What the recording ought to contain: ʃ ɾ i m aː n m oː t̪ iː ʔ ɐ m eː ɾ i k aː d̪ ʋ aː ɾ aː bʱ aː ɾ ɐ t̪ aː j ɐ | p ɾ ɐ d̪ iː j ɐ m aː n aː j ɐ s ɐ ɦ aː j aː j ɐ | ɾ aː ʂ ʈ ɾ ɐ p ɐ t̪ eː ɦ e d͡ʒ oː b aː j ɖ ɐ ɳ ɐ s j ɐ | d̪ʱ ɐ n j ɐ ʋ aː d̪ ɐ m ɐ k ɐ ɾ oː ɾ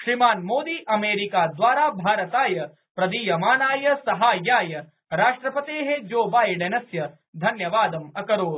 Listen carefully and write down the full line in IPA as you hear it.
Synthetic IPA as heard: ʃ ɾ i m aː n m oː d̪ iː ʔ ɐ m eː ɾ i k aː d̪ ʋ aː ɾ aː bʱ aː ɾ ɐ t̪ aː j ɐ | p ɾ ɐ d̪ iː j ɐ m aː n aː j ɐ s ɐ ɦ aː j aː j ɐ | ɾ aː ʂ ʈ ɾ ɐ p ɐ t̪ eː ɦ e d͡ʒ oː b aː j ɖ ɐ n ɐ s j ɐ | d̪ʱ ɐ n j ɐ ʋ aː d̪ ɐ m ɐ k ɐ ɾ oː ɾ

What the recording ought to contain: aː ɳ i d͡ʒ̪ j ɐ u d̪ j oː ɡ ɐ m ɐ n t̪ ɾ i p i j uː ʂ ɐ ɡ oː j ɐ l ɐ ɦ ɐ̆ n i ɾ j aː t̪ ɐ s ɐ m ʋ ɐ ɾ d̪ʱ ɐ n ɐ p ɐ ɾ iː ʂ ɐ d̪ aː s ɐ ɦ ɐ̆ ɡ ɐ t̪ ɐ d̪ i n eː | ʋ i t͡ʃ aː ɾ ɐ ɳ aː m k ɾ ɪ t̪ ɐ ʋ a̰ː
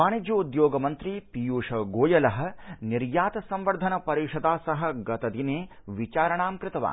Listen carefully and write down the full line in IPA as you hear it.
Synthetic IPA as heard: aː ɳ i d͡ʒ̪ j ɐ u d̪ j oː ɡ ɐ m ɐ n t̪ ɾ i p i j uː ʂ ɐ ɡ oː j ɐ l ɐ ɦ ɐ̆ n i ɾ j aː t̪ ɐ s ɐ m ʋ ɐ ɾ d̪ʱ ɐ n ɐ p ɐ ɾ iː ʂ ɐ d̪ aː s ɐ ɦ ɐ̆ ɡ ɐ t̪ ɐ d̪ i n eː | ʋ i t͡ʃ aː ɾ ɐ ɳ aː m k ɾ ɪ t̪ ɐ ʋ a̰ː

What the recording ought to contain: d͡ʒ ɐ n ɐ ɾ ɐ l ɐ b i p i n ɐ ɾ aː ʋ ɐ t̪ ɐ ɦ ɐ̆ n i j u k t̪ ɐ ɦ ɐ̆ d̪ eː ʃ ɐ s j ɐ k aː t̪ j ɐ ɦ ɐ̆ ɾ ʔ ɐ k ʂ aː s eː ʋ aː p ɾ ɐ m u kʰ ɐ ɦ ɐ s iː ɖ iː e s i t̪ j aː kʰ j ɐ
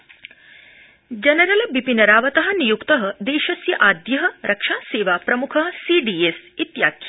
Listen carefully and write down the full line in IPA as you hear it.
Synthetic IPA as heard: d͡ʒ ɐ n ɐ ɾ ɐ l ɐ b i p i n ɐ ɾ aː ʋ ɐ t̪ ɐ ɦ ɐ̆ n i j u k t̪ ɐ ɦ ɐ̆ d̪ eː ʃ ɐ s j ɐ ʔ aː d̪ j ɐ ɦ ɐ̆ ɾ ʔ ɐ k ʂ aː s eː ʋ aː p ɾ ɐ m u kʰ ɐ ɦ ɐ s iː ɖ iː e s i t̪ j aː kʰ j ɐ

